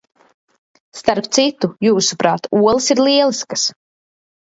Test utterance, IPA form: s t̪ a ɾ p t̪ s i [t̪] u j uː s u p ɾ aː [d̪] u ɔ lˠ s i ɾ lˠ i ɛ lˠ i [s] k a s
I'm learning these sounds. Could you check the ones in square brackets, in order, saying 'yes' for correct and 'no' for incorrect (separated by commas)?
yes, no, yes